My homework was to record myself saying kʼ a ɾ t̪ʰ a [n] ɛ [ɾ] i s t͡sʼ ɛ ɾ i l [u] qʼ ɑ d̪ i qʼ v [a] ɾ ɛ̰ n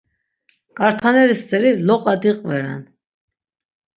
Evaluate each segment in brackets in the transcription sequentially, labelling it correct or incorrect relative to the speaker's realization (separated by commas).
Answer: correct, correct, incorrect, incorrect